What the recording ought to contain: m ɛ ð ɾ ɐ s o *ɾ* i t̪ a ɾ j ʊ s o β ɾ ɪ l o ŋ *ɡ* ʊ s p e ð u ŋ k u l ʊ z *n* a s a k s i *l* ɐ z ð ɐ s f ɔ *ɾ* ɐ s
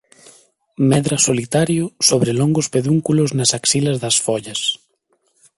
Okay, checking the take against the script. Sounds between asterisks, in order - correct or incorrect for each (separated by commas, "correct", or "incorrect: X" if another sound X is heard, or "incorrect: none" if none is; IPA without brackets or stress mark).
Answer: incorrect: l, correct, correct, correct, incorrect: ʎ